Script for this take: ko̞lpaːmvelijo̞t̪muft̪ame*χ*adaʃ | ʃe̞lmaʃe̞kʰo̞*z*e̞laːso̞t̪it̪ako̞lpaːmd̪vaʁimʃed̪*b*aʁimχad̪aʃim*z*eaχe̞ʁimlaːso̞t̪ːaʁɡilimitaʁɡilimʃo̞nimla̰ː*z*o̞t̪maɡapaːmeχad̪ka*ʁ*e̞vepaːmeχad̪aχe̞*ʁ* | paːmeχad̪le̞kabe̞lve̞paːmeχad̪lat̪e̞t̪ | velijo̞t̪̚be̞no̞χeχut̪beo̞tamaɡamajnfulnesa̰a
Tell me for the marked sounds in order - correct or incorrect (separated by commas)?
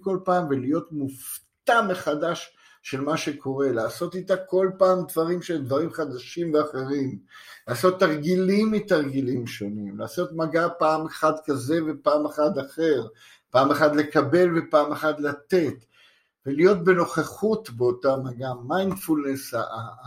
correct, incorrect, incorrect, incorrect, incorrect, incorrect, correct